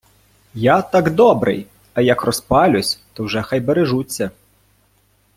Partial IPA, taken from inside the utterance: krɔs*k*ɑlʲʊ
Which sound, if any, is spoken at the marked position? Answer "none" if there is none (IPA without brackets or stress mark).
p